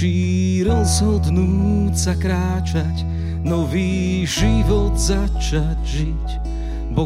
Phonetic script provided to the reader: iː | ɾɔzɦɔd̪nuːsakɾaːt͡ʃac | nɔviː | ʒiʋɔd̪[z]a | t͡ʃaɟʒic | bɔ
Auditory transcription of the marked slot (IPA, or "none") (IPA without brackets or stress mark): z